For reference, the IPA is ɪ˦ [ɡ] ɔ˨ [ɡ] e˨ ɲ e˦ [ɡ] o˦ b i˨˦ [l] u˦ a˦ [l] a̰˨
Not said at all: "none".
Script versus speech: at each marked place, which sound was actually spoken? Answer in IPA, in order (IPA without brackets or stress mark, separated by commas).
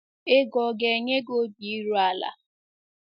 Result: ɡ, ɡ, ɡ, ɾ, l